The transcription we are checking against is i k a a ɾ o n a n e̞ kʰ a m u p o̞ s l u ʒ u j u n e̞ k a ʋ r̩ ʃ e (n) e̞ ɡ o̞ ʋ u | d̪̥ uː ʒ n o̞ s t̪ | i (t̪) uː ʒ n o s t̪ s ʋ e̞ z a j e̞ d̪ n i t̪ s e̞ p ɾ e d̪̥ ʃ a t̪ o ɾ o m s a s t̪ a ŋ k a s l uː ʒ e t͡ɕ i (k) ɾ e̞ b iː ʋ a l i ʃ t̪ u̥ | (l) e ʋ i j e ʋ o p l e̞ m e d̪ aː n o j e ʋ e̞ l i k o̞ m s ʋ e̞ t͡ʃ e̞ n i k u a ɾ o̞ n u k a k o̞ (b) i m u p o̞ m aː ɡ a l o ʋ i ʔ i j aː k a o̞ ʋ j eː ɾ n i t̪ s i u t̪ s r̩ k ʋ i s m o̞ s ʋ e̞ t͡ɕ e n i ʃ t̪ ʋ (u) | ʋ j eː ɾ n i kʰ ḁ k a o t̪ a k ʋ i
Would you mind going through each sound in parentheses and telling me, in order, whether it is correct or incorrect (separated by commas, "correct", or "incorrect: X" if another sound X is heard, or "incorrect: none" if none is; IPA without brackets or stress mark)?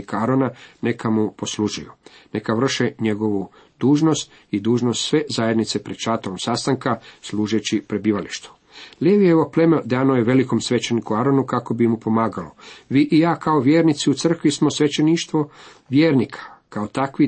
incorrect: ɲ, incorrect: d̪, incorrect: p, correct, correct, incorrect: o